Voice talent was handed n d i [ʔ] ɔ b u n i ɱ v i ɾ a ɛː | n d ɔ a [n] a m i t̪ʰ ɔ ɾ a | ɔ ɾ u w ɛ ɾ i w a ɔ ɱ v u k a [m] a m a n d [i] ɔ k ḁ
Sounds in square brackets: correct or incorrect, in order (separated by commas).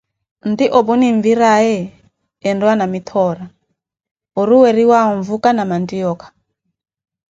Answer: correct, correct, incorrect, correct